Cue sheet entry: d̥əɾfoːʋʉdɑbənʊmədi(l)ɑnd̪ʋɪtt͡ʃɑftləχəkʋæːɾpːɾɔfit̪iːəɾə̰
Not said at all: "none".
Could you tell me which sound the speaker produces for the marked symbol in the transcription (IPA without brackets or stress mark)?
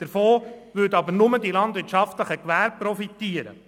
l